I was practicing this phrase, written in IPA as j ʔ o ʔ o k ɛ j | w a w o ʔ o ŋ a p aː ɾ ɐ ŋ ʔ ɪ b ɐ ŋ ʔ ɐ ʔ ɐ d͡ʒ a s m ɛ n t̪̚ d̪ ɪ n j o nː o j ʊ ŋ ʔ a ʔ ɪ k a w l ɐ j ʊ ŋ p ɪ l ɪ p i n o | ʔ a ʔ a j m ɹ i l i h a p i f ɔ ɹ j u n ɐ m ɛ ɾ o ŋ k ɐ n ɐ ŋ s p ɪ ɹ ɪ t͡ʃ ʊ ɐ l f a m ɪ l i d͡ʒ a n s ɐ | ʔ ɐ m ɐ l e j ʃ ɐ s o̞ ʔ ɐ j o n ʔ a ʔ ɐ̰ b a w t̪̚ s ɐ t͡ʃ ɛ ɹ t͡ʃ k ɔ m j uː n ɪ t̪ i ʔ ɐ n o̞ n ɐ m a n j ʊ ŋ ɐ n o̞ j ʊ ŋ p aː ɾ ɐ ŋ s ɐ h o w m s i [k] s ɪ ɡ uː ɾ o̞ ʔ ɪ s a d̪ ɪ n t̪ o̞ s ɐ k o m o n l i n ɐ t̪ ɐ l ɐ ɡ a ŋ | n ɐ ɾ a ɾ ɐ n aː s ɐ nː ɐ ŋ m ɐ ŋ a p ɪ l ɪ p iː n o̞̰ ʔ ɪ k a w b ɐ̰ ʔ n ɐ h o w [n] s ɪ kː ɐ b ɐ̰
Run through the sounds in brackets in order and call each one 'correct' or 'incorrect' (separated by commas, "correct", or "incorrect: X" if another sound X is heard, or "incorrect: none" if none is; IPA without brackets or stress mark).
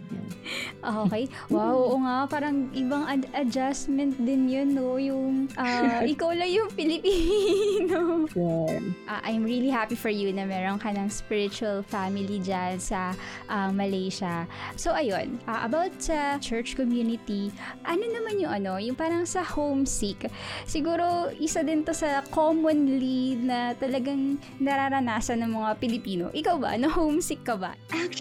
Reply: correct, incorrect: m